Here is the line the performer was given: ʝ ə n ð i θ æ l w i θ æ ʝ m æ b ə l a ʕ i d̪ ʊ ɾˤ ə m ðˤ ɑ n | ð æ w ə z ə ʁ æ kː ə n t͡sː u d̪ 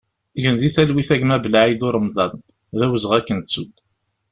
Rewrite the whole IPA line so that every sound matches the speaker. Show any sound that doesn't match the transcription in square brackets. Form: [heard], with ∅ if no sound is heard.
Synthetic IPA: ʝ ə n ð i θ æ l w i θ æ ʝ m æ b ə l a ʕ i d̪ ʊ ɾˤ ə m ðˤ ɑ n | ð æ w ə z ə ʁ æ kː ə n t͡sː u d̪